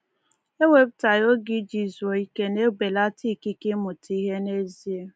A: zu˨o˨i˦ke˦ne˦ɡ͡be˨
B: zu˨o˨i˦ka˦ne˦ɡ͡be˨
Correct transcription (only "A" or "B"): A